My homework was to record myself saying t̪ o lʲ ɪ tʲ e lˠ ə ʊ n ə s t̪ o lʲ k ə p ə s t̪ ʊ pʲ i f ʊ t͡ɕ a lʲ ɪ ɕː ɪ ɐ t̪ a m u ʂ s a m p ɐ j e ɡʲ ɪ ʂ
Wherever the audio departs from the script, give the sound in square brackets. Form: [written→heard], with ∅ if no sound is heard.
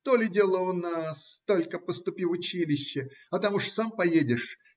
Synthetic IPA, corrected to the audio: t̪ o lʲ ɪ [tʲ→dʲ] e lˠ ə ʊ n [ə→a] s t̪ o lʲ k ə p ə s t̪ ʊ pʲ i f ʊ t͡ɕ [a→i] lʲ ɪ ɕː ɪ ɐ t̪ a m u ʂ s a m p ɐ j e [ɡʲ→dʲ] ɪ ʂ